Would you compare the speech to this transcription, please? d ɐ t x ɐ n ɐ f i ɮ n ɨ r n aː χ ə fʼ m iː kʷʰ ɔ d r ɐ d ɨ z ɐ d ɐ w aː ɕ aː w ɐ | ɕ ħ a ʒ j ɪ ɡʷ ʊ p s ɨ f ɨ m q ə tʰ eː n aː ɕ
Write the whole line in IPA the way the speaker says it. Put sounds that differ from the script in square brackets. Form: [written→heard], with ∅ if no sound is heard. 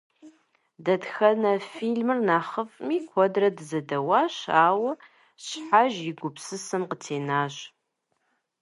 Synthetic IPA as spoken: d ɐ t x ɐ n ɐ f i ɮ [n→m] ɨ r n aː χ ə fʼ m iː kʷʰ ɔ d r ɐ d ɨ z ɐ d ɐ w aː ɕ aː w ɐ | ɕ ħ a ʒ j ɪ ɡʷ ʊ p s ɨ [f→s] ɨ m q ə tʰ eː n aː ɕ